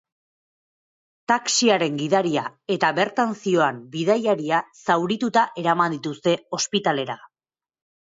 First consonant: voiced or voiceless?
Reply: voiceless